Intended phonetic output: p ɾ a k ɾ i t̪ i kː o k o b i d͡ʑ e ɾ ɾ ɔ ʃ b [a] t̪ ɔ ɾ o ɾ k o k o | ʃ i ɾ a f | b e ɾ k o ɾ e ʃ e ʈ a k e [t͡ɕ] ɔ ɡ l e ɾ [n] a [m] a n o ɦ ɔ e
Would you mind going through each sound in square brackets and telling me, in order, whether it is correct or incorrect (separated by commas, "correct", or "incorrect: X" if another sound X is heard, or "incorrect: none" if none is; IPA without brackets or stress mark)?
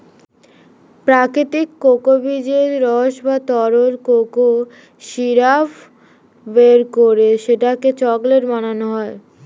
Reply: correct, correct, incorrect: m, incorrect: n